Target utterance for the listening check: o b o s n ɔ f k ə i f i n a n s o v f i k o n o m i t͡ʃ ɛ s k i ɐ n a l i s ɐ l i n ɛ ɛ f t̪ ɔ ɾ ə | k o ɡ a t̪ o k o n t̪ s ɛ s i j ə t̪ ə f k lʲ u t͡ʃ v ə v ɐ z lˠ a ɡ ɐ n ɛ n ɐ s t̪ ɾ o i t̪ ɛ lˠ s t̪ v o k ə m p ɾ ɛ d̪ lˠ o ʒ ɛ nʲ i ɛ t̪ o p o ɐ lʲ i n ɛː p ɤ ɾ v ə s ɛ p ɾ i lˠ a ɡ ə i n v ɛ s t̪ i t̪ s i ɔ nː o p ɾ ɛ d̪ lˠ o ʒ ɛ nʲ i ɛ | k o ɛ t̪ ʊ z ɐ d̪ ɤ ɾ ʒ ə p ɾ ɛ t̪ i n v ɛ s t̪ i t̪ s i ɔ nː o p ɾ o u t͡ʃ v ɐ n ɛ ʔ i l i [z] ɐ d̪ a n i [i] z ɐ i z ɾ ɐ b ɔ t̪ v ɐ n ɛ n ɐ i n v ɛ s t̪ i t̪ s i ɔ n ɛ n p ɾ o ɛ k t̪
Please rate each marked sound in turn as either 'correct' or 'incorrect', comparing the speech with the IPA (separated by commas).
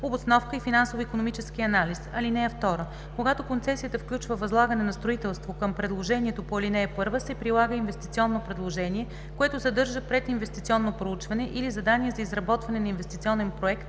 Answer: correct, incorrect